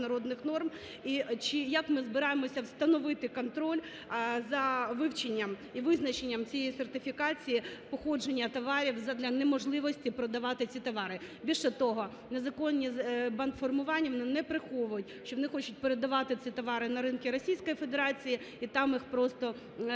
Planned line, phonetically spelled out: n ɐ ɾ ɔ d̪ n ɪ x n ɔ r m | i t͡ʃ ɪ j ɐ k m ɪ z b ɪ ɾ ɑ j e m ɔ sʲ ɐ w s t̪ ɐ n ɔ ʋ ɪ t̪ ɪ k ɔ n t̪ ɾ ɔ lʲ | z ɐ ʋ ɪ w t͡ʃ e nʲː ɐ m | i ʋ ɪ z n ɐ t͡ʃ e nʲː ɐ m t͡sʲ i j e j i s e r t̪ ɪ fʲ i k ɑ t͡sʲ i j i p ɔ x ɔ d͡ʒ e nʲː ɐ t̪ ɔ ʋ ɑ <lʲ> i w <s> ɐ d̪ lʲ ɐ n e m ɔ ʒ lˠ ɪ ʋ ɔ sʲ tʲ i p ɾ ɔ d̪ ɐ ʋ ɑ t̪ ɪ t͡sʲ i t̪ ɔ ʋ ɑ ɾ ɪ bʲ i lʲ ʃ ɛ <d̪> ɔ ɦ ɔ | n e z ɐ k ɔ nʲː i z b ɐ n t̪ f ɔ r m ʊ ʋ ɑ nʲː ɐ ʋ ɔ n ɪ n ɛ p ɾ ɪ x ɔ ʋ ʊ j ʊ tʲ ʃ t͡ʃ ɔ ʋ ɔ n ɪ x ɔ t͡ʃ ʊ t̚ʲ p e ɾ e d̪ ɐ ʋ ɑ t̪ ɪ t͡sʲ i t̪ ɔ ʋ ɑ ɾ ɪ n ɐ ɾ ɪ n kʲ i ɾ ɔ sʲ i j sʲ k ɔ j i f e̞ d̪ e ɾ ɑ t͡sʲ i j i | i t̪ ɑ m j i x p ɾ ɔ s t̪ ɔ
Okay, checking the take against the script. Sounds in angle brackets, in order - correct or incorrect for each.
incorrect: ɾʲ, incorrect: z, incorrect: t̪

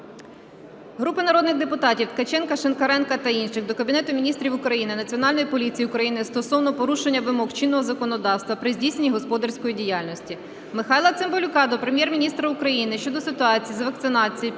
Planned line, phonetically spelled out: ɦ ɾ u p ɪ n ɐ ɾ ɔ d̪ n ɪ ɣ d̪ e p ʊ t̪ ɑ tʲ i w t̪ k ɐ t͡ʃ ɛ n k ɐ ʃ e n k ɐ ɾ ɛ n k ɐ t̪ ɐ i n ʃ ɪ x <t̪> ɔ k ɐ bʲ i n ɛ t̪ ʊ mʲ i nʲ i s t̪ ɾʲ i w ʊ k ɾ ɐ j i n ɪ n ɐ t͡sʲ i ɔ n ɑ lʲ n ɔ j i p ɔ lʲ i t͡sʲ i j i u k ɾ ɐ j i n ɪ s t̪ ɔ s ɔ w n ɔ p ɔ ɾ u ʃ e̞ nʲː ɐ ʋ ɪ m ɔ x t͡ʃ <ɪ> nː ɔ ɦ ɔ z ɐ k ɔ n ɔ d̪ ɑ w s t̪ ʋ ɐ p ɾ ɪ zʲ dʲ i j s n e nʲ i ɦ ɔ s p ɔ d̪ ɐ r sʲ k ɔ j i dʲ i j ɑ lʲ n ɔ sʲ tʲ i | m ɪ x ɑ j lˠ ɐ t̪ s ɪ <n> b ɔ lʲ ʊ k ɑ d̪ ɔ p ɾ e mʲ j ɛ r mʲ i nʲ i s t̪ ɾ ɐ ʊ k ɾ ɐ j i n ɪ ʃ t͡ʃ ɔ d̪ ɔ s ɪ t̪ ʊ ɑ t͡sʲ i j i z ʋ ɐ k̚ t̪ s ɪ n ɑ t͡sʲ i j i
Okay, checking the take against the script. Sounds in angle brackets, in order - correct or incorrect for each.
incorrect: d̪, incorrect: i, incorrect: m

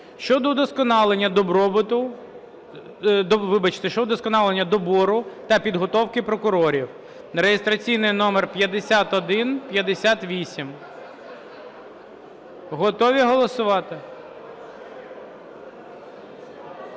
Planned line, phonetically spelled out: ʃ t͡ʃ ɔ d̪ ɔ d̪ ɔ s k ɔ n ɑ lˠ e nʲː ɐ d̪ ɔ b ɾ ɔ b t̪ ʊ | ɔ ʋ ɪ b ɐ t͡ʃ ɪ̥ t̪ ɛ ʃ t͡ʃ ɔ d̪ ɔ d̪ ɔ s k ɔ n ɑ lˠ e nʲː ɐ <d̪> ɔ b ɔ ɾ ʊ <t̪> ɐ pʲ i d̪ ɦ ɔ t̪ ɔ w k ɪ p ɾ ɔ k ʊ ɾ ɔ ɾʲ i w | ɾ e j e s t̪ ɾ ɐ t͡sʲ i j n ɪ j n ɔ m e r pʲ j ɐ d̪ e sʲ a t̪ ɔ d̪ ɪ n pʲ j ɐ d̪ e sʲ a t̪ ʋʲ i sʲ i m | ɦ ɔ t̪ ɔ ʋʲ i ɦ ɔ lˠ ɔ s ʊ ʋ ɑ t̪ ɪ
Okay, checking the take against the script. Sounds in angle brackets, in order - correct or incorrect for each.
correct, correct

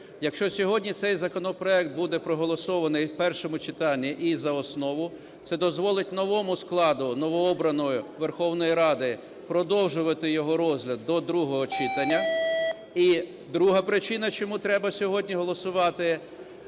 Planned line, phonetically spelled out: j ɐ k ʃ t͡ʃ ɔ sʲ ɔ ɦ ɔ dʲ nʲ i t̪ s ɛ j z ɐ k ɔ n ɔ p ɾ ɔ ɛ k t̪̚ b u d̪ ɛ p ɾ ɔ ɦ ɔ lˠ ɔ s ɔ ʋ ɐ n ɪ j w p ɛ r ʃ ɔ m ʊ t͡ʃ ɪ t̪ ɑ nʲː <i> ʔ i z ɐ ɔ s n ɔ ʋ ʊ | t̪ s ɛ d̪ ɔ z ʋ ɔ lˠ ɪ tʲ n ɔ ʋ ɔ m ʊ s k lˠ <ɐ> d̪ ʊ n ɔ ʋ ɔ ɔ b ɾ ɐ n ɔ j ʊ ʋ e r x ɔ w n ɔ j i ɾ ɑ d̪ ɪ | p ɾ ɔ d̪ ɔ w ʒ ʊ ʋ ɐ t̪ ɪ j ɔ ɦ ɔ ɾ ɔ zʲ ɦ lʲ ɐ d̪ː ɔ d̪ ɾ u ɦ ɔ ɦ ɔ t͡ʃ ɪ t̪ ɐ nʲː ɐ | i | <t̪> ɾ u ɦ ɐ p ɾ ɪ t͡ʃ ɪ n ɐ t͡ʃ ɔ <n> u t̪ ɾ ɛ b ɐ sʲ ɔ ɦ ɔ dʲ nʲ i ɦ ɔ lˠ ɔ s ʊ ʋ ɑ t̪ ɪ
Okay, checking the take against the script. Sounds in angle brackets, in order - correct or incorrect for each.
correct, incorrect: ɑ, incorrect: d̪, incorrect: m

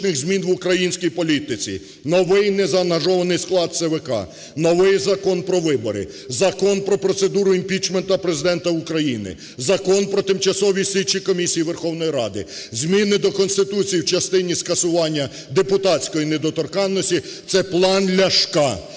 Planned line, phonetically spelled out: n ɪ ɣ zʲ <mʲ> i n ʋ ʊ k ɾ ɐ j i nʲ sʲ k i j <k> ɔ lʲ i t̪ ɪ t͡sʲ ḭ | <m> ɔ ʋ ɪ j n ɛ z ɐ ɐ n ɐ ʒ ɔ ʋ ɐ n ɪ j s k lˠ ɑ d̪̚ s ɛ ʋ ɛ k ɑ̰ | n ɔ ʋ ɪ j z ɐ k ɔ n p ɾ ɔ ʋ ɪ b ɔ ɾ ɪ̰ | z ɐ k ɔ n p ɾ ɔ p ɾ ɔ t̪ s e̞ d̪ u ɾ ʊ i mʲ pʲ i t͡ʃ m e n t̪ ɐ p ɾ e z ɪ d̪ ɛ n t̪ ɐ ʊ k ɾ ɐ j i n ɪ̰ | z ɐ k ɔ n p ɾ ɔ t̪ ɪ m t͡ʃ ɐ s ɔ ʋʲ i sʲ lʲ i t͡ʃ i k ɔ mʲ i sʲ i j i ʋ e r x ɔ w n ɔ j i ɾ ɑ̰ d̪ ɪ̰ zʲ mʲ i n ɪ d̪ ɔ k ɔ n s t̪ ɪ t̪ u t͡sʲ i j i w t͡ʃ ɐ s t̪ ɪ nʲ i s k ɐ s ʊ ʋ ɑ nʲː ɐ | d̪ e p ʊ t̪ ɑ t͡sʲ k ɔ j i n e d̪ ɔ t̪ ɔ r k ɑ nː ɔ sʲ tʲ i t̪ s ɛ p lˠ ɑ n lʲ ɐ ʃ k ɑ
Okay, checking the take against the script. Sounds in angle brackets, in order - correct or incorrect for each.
correct, incorrect: p, incorrect: n

